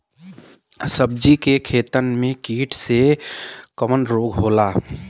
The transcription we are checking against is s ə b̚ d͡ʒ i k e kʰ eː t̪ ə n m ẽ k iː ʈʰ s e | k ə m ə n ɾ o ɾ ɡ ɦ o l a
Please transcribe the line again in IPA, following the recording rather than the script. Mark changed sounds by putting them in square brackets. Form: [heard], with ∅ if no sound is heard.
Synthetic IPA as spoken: s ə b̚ d͡ʒ i k e kʰ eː t̪ ə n m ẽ k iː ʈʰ s e | k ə m ə n ɾ o [∅] ɡ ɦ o l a